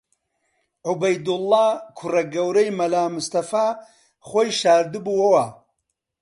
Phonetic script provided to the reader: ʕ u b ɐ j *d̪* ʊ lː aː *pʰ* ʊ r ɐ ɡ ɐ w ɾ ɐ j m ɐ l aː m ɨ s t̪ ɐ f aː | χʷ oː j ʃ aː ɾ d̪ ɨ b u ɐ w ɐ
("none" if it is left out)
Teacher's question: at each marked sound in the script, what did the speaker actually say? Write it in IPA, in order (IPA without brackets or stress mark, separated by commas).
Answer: d̪, kʰ